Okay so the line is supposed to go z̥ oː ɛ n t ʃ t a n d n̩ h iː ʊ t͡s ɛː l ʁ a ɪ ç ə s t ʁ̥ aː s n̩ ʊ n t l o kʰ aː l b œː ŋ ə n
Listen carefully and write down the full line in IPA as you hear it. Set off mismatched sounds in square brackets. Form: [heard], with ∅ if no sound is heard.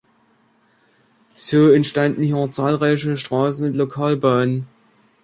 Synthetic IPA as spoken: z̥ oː ɛ n t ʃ t a n d n̩ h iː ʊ t͡s [aː] l ʁ a ɪ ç ə [ʃ] t ʁ̥ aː s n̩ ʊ n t l o kʰ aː l b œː [n] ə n